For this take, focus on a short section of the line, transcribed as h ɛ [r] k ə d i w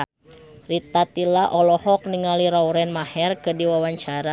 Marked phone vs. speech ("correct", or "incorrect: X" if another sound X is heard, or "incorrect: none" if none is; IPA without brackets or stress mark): correct